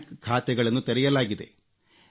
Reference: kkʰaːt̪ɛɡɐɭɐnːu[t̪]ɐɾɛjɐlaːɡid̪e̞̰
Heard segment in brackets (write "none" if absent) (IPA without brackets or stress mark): t̪